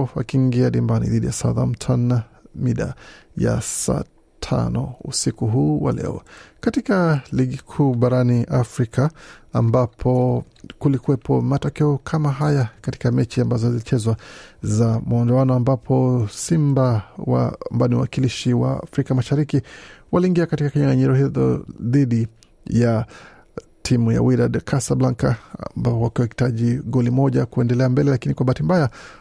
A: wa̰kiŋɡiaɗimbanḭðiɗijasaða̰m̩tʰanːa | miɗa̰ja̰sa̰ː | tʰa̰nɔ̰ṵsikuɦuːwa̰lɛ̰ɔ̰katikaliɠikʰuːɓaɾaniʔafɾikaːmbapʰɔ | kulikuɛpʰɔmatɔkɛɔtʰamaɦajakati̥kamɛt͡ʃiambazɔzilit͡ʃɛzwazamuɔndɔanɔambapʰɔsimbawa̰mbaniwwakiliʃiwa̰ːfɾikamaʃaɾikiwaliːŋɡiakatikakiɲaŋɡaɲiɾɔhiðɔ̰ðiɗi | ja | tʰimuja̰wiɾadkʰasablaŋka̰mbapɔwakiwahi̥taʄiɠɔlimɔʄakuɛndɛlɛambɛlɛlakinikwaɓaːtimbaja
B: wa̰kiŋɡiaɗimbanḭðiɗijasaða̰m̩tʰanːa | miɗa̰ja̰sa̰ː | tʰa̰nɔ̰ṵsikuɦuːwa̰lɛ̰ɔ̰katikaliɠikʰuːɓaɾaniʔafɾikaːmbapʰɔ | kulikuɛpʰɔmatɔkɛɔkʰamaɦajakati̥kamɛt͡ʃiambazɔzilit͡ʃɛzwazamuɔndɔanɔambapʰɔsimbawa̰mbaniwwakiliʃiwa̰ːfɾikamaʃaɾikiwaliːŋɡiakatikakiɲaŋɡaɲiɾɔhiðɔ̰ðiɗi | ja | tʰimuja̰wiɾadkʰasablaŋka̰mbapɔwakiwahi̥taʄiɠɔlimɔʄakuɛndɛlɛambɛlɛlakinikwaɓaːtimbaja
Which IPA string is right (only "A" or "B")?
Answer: B